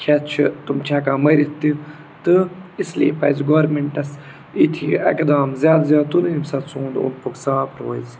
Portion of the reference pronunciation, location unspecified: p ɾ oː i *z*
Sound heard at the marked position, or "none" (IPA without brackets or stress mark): z